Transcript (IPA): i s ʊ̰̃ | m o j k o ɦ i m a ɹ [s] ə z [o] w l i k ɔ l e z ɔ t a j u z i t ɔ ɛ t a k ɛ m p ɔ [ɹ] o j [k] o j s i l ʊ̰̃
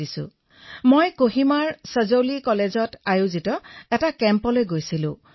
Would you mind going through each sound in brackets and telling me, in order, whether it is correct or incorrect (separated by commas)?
correct, correct, incorrect, incorrect